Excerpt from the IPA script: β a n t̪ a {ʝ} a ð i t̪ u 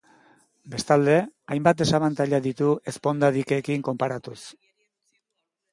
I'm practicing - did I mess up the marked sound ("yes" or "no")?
yes